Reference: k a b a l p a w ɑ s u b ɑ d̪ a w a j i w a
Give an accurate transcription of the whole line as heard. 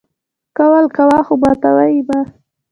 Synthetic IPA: k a w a l k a w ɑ x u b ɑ t̪ a w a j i b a